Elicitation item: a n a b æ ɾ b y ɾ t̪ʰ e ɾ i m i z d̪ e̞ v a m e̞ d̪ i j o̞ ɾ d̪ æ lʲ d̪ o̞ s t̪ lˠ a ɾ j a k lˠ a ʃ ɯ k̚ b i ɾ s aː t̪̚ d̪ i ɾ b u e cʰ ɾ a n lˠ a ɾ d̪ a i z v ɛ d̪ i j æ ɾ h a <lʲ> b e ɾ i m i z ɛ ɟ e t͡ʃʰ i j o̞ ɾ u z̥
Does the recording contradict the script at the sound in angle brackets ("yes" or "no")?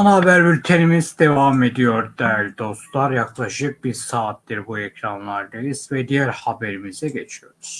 yes